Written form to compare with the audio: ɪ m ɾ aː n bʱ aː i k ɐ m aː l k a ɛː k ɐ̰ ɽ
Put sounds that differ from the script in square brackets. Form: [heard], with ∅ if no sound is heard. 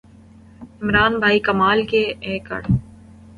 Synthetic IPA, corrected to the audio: ɪ m ɾ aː n bʱ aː i k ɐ m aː l k [e] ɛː k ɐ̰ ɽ